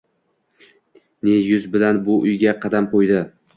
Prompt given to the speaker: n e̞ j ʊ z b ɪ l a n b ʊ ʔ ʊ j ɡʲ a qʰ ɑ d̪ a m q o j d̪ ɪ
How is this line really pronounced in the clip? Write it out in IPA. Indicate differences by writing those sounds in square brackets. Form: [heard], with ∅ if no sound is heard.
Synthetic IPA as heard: n e̞ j ʊ z b ɪ l a n b ʊ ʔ ʊ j ɡʲ a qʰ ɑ d̪ a m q o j d̪ ɪ

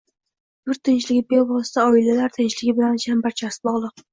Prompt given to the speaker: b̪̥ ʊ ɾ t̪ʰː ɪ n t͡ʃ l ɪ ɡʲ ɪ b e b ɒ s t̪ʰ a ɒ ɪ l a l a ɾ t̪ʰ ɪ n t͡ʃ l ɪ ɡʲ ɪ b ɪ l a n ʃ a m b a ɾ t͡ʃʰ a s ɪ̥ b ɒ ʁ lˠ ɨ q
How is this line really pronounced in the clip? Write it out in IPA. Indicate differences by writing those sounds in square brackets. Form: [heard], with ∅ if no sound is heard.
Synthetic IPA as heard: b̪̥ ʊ ɾ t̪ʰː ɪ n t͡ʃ l ɪ ɡʲ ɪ b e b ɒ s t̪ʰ a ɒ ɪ l a l a ɾ t̪ʰ ɪ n t͡ʃ l ɪ ɡʲ ɪ b ɪ l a n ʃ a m b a ɾ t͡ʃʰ a s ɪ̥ b ɒ ʁ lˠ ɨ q

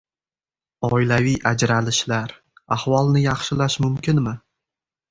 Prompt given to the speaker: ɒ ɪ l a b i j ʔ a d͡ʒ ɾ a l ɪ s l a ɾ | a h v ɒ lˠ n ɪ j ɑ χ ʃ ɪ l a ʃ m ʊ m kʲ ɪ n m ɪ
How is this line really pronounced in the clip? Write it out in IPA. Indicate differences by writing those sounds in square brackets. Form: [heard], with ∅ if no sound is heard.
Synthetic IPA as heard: ɒ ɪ l a [v] i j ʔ a d͡ʒ ɾ a l ɪ [ʃ] l a ɾ | a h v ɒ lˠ n ɪ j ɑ χ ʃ ɪ l a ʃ m ʊ m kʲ ɪ n m ɪ

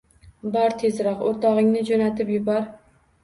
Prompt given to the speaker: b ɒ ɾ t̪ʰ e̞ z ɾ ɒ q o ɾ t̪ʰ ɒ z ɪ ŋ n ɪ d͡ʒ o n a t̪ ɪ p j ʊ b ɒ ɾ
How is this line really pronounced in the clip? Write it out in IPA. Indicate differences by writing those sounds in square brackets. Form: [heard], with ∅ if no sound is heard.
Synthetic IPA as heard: b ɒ ɾ t̪ʰ e̞ z ɾ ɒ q o ɾ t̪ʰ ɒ [ʁ] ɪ ŋ n ɪ d͡ʒ o n a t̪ ɪ p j ʊ b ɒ ɾ

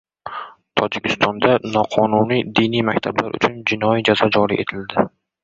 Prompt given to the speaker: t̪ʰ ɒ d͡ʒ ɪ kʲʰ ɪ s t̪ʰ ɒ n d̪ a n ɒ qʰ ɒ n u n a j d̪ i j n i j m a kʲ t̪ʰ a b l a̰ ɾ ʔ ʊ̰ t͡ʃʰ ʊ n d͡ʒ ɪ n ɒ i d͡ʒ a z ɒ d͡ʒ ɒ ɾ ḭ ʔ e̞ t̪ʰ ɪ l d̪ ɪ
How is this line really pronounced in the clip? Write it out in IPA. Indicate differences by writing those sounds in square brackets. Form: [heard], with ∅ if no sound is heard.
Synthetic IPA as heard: t̪ʰ ɒ d͡ʒ ɪ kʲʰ ɪ s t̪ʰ ɒ n d̪ a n ɒ qʰ ɒ n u n [i] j d̪ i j n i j m a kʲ t̪ʰ a b l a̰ ɾ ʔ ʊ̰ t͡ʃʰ ʊ n d͡ʒ ɪ n ɒ i d͡ʒ a z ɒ d͡ʒ ɒ ɾ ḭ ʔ e̞ t̪ʰ ɪ l d̪ ɪ

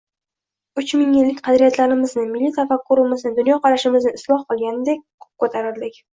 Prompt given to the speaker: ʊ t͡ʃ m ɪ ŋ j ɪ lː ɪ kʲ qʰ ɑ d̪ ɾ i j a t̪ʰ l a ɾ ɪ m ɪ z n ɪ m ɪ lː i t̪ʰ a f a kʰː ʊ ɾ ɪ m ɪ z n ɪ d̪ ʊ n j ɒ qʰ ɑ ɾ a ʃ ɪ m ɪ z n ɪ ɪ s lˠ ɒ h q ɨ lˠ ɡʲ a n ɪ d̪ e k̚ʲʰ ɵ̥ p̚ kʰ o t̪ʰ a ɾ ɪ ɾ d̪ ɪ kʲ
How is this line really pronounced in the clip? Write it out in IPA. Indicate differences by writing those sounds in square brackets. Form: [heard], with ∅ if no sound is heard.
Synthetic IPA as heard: ʊ t͡ʃ m ɪ ŋ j ɪ lː ɪ kʲ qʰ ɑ d̪ ɾ i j a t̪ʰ l a ɾ ɪ m ɪ z n ɪ m ɪ lː i t̪ʰ a f a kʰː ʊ ɾ ɪ m ɪ z n ɪ d̪ ʊ n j ɒ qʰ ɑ ɾ a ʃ ɪ m ɪ z n ɪ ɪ s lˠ ɒ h q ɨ lˠ ɡʲ a n ɪ d̪ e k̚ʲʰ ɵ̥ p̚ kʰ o t̪ʰ a ɾ ɪ ɾ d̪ ɪ kʲ

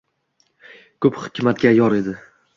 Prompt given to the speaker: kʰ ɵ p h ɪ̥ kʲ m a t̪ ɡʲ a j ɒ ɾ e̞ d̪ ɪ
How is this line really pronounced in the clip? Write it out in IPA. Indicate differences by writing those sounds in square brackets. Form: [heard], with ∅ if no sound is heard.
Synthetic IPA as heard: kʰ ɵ p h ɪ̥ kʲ m a t̪ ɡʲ a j ɒ ɾ e̞ d̪ ɪ

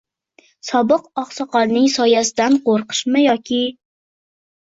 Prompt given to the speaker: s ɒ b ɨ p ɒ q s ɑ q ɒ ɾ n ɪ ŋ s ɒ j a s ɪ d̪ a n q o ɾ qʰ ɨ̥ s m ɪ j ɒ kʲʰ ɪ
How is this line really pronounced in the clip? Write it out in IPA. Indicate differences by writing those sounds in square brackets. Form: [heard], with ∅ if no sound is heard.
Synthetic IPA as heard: s ɒ b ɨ [q] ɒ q s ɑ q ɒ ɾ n ɪ ŋ s ɒ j a s ɪ d̪ a n q o ɾ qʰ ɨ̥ [ʃ] m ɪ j ɒ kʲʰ ɪ

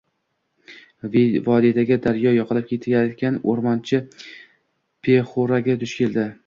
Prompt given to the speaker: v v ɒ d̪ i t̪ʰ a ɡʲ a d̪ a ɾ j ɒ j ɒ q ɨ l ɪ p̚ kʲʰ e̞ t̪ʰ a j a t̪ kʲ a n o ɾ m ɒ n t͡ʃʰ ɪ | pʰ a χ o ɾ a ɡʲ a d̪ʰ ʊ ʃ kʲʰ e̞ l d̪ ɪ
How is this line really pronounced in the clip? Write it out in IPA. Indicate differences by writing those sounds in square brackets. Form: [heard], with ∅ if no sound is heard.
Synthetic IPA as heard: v v ɒ d̪ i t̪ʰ a ɡʲ a d̪ a ɾ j ɒ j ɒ q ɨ l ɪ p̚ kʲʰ e̞ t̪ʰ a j a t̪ kʲ a n o ɾ m ɒ n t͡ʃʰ ɪ | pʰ [e] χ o ɾ a ɡʲ a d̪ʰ ʊ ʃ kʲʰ e̞ l d̪ ɪ

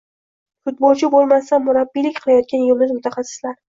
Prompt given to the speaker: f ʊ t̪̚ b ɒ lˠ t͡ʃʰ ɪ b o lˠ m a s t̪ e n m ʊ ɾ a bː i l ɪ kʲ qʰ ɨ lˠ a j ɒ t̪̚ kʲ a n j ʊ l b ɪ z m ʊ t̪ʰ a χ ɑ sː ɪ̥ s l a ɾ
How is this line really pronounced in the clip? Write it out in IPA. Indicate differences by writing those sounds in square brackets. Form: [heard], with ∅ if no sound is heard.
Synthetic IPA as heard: f ʊ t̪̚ b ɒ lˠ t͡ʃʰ ɪ b o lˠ m a s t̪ [a] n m ʊ ɾ a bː i l ɪ kʲ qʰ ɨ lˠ a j ɒ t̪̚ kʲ a n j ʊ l [m] ɪ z m ʊ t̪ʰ a χ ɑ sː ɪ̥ s l a ɾ

